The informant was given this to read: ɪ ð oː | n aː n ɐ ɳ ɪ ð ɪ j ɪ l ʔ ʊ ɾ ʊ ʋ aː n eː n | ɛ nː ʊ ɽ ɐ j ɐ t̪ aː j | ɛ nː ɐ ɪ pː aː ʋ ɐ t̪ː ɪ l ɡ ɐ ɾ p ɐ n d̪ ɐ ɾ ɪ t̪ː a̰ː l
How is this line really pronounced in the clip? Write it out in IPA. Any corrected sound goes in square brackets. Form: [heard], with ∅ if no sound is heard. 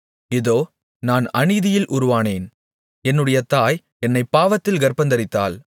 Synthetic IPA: ɪ ð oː | n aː n ɐ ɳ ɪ ð ɪ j ɪ l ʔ ʊ ɾ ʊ ʋ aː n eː n | ɛ nː [ɯ] ɽ ɐ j ɐ t̪ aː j | ɛ nː ɐ ɪ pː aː ʋ ɐ t̪ː ɪ l ɡ ɐ ɾ p ɐ n d̪ ɐ ɾ ɪ t̪ː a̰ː l

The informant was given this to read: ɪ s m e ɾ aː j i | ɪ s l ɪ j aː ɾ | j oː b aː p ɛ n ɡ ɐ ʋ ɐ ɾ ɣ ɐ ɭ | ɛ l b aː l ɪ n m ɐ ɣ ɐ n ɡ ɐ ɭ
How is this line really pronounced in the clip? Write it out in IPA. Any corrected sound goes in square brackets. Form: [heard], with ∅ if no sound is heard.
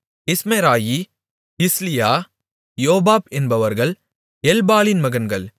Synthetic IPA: ɪ s m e ɾ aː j i | ɪ s l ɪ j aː [∅] | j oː b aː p ɛ n [b] ɐ ʋ ɐ ɾ ɣ ɐ ɭ | ɛ l b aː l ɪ n m ɐ ɣ ɐ n ɡ ɐ ɭ

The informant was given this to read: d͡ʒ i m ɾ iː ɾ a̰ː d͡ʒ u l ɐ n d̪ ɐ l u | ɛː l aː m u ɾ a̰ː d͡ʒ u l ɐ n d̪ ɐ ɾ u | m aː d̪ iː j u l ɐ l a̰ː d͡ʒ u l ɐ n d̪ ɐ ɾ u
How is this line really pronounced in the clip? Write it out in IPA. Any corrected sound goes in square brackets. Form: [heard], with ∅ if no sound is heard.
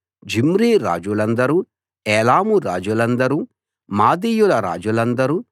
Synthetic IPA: d͡ʒ i m ɾ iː ɾ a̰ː d͡ʒ u l ɐ n d̪ ɐ [ɾ] u | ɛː l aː m u ɾ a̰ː d͡ʒ u l ɐ n d̪ ɐ ɾ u | m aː d̪ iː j u l ɐ [ɾ] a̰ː d͡ʒ u l ɐ n d̪ ɐ ɾ u

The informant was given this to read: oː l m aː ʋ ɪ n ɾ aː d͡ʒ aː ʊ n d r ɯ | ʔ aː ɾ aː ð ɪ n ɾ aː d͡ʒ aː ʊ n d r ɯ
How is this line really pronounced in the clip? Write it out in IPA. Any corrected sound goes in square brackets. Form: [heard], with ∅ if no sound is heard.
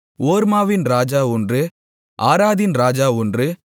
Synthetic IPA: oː [ɾ] m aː ʋ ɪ n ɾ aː d͡ʒ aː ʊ n d r ɯ | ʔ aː ɾ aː ð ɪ n ɾ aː d͡ʒ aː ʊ n d r ɯ

